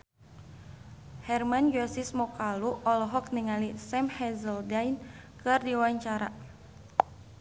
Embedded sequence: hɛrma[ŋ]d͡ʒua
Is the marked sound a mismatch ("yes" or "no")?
yes